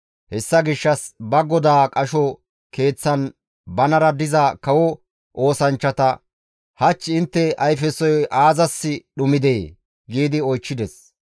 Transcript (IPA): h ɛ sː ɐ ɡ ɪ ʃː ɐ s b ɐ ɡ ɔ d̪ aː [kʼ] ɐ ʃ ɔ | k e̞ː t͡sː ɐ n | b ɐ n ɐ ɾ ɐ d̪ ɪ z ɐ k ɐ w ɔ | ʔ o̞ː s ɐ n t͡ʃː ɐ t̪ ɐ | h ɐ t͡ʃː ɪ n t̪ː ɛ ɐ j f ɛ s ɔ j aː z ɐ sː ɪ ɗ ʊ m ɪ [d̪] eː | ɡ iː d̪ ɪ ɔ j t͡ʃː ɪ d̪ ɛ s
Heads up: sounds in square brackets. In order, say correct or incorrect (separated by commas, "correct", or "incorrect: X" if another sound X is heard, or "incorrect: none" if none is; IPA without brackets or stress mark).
correct, correct